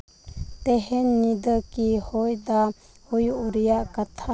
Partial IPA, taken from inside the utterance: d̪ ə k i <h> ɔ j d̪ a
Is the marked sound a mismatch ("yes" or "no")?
no